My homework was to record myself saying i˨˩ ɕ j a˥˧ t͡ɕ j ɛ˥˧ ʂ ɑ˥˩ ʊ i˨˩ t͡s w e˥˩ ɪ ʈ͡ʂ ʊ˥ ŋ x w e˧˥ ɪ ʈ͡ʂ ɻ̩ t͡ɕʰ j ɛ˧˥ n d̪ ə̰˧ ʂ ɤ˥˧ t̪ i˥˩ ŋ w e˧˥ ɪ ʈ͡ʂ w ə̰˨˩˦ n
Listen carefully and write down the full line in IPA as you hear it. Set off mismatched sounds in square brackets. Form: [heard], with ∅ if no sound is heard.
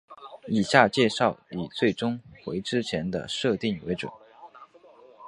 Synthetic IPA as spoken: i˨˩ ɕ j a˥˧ t͡ɕ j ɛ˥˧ ʂ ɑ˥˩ ʊ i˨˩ t͡s w e˥˩ ɪ ʈ͡ʂ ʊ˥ ŋ x w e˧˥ ɪ ʈ͡ʂ ɻ̩ t͡ɕʰ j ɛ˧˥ n d̪ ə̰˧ ʂ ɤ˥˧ t̪ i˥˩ ŋ w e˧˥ ɪ ʈ͡ʂ w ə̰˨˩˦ n